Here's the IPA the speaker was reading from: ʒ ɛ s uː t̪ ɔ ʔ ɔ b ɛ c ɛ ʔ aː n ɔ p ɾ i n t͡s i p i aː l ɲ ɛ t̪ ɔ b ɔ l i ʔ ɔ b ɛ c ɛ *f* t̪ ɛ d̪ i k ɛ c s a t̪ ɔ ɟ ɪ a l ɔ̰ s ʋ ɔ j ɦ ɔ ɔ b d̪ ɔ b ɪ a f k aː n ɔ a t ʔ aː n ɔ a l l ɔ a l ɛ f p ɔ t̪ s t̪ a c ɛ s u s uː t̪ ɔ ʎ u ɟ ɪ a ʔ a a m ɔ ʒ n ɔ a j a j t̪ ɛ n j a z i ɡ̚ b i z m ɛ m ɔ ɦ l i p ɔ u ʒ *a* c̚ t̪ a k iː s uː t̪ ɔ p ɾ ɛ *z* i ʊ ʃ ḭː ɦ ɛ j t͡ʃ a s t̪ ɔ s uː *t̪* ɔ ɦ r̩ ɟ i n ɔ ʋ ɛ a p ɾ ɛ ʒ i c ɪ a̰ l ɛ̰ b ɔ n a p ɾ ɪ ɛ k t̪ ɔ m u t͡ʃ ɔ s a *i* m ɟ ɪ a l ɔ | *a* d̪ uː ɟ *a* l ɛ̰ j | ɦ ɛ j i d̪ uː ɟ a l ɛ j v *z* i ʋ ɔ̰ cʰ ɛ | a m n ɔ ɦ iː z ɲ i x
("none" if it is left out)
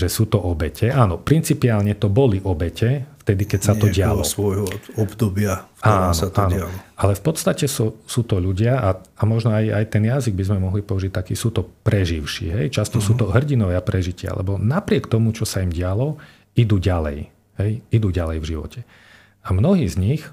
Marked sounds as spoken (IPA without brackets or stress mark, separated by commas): f, i, ʒ, t̪, i, i, a, ʒ